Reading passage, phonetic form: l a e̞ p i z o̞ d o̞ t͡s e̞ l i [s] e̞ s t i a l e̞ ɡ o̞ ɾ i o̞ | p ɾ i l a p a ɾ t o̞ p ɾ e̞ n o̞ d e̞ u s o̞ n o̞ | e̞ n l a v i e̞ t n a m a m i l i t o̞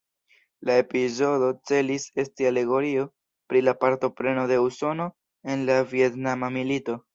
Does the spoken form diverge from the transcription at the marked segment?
no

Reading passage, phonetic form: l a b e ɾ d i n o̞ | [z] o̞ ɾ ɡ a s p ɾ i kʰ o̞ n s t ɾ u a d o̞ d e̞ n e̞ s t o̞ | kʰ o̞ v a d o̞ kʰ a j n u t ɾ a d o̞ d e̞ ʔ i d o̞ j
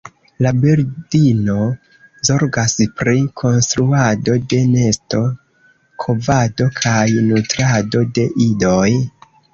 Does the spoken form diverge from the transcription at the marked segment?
no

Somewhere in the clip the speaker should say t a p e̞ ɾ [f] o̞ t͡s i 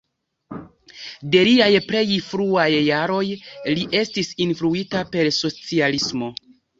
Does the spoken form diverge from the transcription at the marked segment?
yes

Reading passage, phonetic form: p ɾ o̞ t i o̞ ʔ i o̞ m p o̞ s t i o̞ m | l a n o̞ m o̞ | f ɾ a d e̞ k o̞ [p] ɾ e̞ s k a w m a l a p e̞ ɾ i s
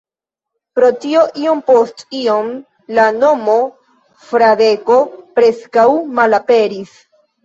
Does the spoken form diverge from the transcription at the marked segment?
no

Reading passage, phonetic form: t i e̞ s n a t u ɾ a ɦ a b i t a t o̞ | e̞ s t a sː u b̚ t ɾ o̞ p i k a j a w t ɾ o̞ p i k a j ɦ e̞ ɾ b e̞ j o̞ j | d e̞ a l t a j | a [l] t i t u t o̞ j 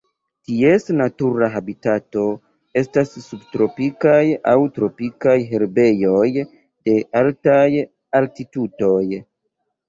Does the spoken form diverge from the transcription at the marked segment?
no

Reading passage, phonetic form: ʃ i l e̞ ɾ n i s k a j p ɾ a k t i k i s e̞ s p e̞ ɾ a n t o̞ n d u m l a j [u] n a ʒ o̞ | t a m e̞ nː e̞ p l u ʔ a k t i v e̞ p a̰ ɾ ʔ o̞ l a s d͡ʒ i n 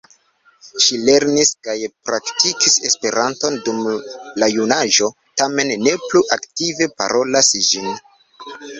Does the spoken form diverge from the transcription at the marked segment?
no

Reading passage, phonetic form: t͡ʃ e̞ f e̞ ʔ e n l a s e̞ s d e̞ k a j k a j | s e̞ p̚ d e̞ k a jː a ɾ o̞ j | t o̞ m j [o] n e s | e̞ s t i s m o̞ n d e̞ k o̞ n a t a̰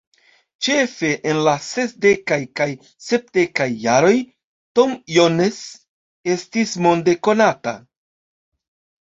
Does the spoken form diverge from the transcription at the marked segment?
no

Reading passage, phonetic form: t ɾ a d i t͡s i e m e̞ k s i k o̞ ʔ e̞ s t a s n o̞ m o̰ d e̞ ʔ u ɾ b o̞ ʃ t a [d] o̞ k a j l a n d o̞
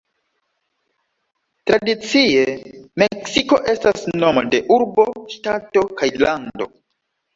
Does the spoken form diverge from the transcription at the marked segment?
yes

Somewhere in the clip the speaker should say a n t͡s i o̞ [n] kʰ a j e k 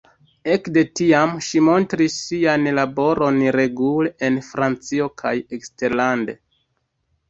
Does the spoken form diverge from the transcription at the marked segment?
yes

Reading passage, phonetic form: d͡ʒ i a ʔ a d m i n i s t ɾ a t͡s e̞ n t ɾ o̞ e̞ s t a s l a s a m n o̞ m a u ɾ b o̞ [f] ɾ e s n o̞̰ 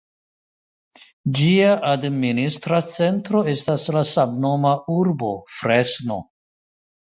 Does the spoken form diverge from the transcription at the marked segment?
no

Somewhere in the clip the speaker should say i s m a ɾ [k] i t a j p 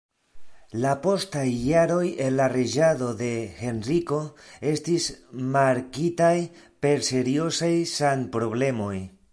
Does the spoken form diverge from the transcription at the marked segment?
no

